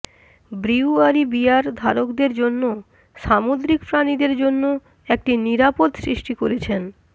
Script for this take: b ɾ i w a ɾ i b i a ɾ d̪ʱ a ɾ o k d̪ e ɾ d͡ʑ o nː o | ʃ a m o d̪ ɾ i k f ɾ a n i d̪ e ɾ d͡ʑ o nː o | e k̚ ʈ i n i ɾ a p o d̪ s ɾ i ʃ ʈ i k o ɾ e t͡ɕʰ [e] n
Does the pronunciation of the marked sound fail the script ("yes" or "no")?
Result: no